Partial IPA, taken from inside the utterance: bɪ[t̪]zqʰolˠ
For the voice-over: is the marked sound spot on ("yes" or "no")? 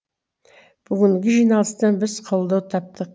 no